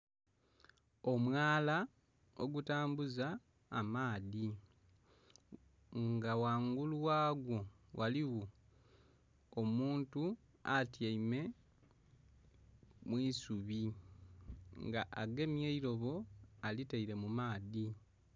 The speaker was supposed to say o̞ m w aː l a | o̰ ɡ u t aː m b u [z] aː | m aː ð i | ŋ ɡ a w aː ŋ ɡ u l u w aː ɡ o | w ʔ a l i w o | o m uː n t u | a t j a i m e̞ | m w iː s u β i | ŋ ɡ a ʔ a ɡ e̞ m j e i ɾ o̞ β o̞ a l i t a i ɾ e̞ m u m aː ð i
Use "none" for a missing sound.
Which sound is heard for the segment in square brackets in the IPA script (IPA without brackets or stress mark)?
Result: z